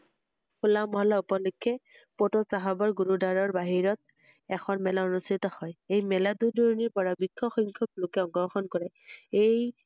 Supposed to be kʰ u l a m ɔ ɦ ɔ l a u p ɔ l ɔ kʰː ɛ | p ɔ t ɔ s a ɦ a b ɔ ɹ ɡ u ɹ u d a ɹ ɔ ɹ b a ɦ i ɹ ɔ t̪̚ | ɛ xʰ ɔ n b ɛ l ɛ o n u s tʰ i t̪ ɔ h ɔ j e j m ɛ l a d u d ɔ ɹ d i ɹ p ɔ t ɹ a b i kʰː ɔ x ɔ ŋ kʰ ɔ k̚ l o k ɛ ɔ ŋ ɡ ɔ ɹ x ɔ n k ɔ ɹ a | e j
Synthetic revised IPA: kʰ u l a m ɔ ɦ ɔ l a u p ɔ l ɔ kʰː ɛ | p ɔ t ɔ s a ɦ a b ɔ ɹ ɡ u ɹ u d a ɹ ɔ ɹ b a ɦ i ɹ ɔ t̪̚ | ɛ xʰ ɔ n m ɛ l a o n u s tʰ i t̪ ɔ h ɔ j e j m ɛ l a d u d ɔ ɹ n i ɹ p ɔ ɹ a b i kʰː ɔ x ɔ ŋ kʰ ɔ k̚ l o k ɛ ɔ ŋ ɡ ɔ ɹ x ɔ n k ɔ ɹ ɛ | e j